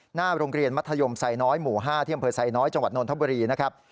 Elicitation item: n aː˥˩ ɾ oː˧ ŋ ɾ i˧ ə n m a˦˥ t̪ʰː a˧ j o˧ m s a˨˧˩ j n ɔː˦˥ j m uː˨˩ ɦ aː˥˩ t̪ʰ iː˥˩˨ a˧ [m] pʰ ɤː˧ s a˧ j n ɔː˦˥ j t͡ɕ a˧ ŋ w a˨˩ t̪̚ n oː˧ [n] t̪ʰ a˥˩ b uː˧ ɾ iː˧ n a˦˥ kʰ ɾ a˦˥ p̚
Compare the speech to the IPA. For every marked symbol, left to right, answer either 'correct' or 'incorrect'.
correct, correct

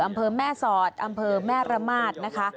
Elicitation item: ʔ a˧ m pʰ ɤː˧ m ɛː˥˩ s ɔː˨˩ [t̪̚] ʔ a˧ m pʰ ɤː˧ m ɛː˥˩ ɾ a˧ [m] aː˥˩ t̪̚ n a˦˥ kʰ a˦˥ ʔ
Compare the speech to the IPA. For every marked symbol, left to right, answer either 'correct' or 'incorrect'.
correct, correct

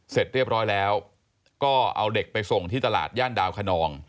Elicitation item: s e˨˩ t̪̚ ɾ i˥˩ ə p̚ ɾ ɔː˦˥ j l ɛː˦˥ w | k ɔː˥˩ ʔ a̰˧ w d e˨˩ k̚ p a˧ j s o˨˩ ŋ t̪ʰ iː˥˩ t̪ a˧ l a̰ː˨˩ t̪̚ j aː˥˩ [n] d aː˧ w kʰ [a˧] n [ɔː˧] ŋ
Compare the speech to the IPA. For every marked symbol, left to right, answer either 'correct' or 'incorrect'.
correct, correct, correct

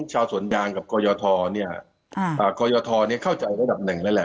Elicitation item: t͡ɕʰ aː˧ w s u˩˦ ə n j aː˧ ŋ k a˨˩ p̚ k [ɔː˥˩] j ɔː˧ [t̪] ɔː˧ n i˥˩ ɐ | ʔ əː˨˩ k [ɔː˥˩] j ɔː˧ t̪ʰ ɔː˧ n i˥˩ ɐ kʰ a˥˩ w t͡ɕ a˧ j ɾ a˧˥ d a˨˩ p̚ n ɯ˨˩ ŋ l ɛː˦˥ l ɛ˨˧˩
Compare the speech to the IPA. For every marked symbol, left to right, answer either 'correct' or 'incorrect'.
incorrect, incorrect, incorrect

